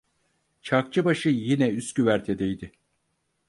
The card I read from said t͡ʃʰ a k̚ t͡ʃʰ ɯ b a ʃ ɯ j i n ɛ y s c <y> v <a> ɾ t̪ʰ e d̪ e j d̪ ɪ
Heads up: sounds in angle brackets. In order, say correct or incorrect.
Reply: correct, incorrect

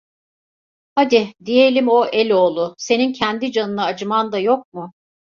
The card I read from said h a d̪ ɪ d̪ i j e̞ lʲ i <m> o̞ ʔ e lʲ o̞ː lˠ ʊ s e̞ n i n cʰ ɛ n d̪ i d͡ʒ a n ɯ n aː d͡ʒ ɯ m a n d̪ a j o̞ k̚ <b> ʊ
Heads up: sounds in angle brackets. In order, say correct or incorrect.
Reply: correct, incorrect

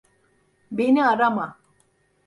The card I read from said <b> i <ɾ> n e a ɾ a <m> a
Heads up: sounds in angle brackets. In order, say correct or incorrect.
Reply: correct, incorrect, correct

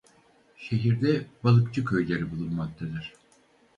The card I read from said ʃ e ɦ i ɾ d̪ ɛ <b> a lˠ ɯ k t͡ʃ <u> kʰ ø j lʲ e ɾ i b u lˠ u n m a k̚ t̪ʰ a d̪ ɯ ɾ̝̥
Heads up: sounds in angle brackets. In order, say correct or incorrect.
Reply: correct, incorrect

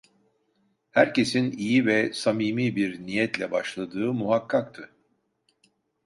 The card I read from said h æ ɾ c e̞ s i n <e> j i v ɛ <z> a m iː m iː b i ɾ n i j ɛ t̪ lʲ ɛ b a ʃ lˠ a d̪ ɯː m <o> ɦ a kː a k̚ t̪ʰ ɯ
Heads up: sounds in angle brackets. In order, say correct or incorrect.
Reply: incorrect, incorrect, incorrect

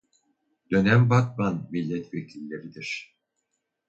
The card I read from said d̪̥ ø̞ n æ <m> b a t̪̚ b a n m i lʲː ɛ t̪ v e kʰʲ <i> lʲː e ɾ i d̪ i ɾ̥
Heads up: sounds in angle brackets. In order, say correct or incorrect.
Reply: correct, correct

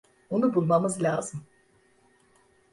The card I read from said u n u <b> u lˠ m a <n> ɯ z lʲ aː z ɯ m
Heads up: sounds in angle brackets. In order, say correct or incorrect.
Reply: correct, incorrect

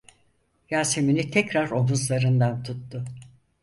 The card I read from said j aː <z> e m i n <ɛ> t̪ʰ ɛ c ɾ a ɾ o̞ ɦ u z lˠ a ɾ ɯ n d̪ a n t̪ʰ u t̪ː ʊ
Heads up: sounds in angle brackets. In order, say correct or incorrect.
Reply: incorrect, incorrect

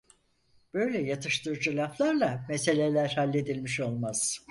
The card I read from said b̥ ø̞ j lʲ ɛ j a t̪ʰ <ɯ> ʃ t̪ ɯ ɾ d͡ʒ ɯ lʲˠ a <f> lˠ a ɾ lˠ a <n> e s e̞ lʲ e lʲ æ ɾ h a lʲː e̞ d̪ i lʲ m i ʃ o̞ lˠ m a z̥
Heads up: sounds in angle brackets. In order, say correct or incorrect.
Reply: correct, correct, incorrect

